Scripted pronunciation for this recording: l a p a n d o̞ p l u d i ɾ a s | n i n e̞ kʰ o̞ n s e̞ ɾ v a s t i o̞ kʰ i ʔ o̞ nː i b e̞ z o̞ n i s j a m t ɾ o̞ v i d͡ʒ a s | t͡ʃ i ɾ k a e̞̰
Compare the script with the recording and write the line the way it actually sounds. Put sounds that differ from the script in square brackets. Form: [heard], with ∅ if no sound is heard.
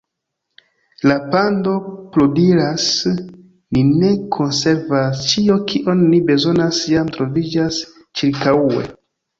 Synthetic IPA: l a p a n d o̞ p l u d i ɾ a s | n i n e̞ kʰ o̞ n s e̞ ɾ v a s [t͡ʃ] i o̞ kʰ i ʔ o̞ nː i b e̞ z o̞ n [a] s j a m t ɾ o̞ v i d͡ʒ a s | t͡ʃ i ɾ k a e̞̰